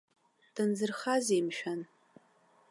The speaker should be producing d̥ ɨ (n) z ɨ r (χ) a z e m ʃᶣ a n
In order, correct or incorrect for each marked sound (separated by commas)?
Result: correct, correct